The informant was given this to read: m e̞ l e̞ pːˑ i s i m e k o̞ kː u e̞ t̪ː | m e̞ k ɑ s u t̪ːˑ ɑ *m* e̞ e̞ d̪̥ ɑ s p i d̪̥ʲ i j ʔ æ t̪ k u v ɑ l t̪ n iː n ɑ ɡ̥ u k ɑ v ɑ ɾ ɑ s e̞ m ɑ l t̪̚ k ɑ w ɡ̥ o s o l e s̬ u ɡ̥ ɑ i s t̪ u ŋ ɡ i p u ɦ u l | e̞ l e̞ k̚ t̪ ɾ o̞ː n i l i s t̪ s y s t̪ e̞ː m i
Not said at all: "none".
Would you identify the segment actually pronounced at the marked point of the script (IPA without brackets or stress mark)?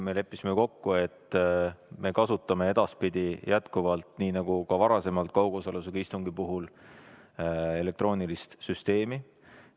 m